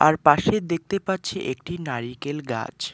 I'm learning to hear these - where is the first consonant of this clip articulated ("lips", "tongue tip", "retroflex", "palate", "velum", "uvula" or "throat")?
tongue tip